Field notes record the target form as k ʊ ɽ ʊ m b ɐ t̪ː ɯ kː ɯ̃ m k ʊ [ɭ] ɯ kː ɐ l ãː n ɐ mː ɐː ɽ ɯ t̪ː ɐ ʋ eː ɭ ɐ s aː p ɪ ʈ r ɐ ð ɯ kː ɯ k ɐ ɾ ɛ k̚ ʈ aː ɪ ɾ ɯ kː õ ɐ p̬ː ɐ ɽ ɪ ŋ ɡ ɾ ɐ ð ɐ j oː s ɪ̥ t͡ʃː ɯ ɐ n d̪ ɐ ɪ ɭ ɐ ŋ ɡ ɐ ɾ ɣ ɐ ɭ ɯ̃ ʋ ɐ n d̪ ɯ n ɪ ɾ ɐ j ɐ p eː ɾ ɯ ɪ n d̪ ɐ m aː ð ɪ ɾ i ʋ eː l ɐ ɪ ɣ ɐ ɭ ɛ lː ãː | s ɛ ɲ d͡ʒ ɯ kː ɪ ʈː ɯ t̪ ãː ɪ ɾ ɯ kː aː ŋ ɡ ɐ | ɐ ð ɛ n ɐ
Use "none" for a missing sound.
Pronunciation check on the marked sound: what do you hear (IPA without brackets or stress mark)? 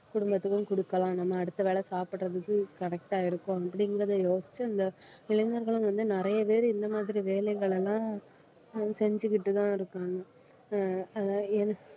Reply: ɽ